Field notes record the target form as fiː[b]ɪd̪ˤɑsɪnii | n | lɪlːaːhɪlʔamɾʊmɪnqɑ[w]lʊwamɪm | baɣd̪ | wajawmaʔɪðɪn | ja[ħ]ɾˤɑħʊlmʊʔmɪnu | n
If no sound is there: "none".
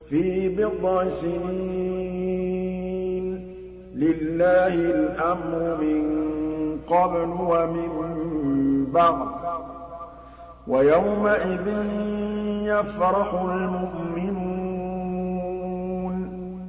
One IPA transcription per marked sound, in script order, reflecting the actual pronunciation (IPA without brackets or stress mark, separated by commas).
b, b, f